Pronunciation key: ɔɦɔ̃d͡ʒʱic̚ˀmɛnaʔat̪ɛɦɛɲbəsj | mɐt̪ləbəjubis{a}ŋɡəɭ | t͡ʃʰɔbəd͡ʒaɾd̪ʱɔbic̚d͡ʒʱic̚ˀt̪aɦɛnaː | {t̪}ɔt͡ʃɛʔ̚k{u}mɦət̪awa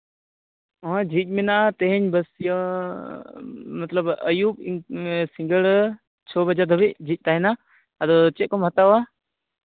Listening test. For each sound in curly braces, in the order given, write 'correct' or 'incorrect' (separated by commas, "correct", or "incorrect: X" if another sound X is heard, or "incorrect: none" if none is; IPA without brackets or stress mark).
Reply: incorrect: i, incorrect: d̪, incorrect: ɔ